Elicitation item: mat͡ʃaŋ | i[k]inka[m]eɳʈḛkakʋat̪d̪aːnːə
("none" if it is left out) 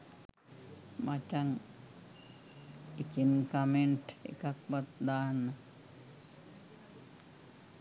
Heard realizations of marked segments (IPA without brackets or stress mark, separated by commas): k, m